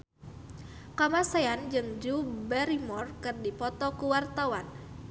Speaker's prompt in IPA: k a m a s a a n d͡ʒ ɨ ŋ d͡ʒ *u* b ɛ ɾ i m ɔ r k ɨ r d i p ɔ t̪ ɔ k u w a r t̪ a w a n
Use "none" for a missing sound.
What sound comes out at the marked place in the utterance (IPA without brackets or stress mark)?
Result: u